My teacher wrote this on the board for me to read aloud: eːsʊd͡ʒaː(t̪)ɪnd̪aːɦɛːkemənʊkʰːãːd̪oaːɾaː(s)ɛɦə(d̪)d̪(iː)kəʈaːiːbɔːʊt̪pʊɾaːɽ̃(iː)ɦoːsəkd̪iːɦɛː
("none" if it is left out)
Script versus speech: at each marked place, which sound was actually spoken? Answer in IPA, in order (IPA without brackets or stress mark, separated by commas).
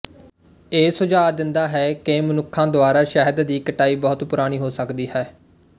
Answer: d̪, ʃ, d̪, iː, iː